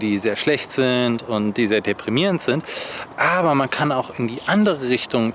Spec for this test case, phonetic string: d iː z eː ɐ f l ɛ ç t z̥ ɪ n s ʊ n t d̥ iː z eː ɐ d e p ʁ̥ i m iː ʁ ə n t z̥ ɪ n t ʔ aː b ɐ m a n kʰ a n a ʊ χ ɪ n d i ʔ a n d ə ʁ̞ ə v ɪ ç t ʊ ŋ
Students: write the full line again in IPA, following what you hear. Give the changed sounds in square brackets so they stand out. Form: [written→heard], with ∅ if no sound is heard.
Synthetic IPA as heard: d iː z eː ɐ [f→ʃ] l ɛ ç t z̥ ɪ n [s→t] ʊ n t d̥ iː z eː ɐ d e p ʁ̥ i m iː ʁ ə n t z̥ ɪ n t ʔ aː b ɐ m a n kʰ a n a ʊ [χ→x] ɪ n d [i→iː] ʔ a n d ə ʁ̞ ə [v→ʁ] ɪ ç t ʊ ŋ